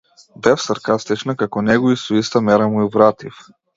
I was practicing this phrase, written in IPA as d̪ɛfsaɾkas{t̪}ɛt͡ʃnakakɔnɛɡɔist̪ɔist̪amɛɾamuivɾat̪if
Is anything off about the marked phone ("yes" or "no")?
no